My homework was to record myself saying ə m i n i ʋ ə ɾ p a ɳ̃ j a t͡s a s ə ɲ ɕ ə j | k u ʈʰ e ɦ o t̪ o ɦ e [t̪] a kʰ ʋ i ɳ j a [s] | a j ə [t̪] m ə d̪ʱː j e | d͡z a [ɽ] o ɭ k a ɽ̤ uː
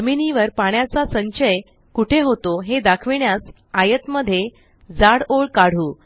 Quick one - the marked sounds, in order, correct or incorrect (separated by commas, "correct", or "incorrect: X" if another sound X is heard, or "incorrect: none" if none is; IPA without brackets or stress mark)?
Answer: incorrect: d̪, correct, correct, correct